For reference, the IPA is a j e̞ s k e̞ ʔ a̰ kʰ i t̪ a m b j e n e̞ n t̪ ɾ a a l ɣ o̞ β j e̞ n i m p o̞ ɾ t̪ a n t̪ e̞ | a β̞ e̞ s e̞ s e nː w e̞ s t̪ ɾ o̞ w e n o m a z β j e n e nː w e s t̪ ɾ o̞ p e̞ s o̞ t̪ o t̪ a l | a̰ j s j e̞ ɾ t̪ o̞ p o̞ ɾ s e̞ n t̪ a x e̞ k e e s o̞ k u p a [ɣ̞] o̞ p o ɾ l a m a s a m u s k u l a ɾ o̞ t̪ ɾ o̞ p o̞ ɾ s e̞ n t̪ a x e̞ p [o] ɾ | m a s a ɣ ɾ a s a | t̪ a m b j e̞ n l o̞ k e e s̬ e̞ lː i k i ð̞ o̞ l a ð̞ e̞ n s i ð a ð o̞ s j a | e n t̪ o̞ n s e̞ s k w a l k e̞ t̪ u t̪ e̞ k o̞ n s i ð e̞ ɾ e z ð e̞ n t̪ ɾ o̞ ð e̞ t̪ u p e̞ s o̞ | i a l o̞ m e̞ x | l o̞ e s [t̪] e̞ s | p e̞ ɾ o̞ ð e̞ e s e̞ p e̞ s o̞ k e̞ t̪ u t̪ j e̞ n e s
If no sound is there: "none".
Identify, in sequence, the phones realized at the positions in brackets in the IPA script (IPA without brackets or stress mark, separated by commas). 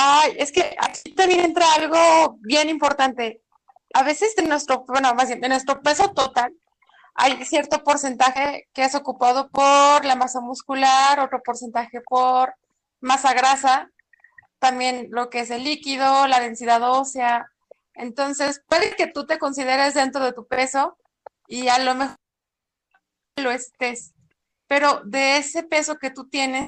ð̞, o, t̪